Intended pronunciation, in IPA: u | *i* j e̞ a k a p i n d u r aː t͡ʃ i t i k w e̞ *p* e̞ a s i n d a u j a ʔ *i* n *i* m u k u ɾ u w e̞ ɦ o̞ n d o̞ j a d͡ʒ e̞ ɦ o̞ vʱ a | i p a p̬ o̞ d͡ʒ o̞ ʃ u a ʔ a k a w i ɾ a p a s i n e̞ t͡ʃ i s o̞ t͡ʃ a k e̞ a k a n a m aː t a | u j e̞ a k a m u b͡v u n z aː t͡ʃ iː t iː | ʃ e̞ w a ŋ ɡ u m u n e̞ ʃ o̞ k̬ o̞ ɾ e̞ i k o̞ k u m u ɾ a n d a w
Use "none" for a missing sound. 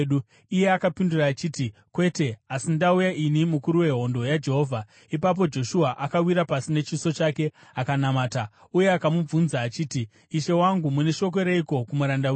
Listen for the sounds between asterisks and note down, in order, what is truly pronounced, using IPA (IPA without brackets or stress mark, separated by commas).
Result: i, t, i, i